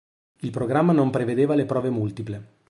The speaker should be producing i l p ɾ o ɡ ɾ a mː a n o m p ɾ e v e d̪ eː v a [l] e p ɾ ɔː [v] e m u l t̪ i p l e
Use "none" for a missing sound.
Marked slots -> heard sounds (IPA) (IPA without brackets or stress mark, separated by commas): l, v